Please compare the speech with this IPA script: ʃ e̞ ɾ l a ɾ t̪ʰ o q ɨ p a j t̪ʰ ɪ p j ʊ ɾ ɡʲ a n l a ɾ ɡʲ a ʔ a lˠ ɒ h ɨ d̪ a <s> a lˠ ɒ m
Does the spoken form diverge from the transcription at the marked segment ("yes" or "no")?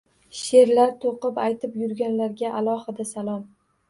no